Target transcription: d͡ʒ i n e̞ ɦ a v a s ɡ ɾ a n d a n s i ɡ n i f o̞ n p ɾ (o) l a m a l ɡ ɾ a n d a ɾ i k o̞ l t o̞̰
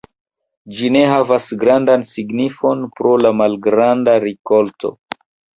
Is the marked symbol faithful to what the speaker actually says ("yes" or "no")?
yes